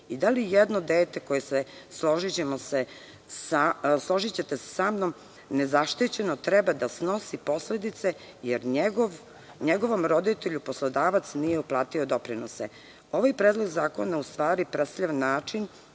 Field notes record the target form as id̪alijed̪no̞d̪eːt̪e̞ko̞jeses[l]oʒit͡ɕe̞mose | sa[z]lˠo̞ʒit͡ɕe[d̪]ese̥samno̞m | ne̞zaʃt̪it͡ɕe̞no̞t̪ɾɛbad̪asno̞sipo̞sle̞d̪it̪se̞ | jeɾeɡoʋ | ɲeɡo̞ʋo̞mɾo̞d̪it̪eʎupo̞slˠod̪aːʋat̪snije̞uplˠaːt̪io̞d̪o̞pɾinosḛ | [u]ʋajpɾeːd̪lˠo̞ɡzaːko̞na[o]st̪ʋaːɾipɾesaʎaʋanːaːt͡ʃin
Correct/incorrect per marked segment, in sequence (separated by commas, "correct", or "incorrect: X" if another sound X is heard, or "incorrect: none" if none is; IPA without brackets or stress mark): correct, incorrect: s, incorrect: t̪, incorrect: o, incorrect: u